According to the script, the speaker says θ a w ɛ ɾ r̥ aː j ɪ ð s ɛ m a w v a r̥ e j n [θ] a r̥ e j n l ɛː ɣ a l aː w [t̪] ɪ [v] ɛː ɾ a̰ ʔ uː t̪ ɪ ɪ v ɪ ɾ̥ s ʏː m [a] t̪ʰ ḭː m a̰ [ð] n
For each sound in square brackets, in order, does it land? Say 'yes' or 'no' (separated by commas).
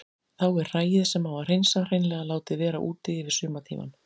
no, yes, yes, yes, no